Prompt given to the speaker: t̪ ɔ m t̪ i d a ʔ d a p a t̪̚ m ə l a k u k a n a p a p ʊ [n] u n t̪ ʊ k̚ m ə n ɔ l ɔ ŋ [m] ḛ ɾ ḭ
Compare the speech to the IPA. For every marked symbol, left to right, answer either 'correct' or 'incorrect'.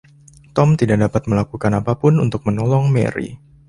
correct, correct

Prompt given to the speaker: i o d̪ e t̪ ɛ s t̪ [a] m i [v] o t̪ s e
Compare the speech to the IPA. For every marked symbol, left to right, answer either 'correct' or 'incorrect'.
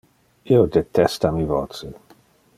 correct, correct

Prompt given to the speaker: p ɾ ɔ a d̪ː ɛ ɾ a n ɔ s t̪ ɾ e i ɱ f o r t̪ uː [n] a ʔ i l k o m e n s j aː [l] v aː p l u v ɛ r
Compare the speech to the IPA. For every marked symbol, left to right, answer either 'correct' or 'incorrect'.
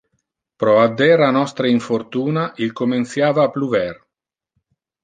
correct, incorrect: none

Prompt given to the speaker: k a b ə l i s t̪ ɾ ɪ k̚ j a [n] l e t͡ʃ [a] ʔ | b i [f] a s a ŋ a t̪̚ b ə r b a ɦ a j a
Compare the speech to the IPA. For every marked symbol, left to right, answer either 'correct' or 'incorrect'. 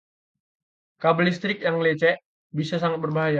incorrect: ŋ, incorrect: ɛ, incorrect: s

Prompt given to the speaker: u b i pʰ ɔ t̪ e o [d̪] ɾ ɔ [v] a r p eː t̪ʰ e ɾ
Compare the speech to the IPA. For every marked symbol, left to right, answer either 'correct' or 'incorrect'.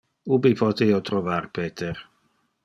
incorrect: t̪, correct

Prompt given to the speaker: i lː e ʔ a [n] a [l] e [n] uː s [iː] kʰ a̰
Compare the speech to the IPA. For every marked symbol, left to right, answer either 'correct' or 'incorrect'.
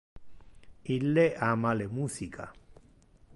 incorrect: m, correct, incorrect: m, incorrect: i

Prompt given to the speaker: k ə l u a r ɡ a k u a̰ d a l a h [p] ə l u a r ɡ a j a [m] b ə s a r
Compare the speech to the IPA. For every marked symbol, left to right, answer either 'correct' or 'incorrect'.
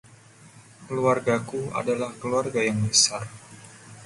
incorrect: k, incorrect: ŋ

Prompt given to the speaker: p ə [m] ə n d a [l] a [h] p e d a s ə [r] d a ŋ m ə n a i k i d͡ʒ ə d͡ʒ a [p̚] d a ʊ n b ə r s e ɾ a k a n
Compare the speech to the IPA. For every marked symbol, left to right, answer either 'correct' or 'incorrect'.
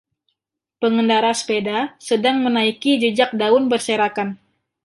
incorrect: ŋ, incorrect: ɾ, incorrect: s, incorrect: none, incorrect: k̚

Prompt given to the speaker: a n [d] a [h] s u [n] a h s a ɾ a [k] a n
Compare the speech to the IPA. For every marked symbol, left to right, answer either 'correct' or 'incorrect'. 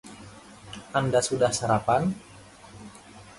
correct, incorrect: none, incorrect: d, incorrect: p

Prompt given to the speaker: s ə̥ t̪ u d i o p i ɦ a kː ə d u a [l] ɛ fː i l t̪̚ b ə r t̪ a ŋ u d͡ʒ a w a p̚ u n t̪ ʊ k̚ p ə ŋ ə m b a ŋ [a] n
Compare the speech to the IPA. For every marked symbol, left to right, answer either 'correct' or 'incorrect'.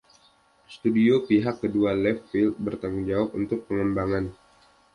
correct, correct

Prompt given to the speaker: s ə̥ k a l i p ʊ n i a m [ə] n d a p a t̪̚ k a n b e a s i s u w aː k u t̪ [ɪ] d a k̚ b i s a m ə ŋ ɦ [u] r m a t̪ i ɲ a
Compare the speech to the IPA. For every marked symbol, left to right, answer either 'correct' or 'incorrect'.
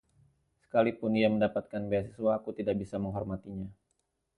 correct, incorrect: i, incorrect: ɔ

